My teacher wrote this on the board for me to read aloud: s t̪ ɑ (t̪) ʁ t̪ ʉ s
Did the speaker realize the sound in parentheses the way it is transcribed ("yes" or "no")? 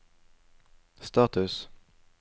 no